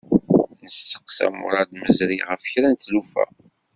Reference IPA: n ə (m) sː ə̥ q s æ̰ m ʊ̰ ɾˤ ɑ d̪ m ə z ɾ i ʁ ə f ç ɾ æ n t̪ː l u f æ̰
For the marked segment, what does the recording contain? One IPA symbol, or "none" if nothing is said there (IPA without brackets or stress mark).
none